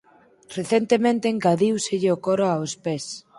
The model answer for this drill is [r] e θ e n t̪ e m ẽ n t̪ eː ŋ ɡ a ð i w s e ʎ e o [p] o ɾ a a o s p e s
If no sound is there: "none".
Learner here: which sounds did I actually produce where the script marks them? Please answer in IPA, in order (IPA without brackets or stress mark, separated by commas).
r, k